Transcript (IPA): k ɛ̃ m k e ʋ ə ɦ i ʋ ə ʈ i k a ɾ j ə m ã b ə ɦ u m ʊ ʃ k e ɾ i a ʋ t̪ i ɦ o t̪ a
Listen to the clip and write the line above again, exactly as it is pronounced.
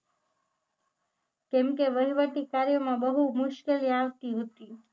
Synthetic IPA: k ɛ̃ m k e ʋ ə ɦ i ʋ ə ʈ i k a ɾ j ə m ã b ə ɦ u m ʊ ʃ k e l i a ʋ t̪ i ɦ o t̪ i